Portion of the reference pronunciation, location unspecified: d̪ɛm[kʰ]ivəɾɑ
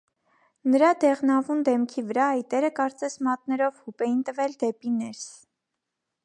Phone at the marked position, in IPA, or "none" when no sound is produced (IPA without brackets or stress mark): kʰ